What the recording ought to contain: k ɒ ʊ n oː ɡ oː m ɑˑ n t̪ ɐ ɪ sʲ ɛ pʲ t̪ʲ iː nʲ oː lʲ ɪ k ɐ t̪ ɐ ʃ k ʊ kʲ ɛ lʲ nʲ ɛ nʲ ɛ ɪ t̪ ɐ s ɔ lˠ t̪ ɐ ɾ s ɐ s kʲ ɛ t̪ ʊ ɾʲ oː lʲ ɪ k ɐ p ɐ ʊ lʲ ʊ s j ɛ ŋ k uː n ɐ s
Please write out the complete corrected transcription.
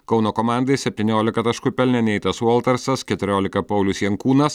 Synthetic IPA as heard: k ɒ ʊ n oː k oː m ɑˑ n d̪ ɐ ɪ sʲ ɛ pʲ t̪ʲ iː nʲ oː lʲ ɪ k ɐ t̪ ɐ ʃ k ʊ pʲ ɛ lʲ nʲ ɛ nʲ ɛ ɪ t̪ ɐ s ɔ lˠ t̪ ɐ ɾ s ɐ s kʲ ɛ t̪ ʊ ɾʲ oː lʲ ɪ k ɐ p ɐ ʊ lʲ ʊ s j ɛ ŋ k uː n ɐ s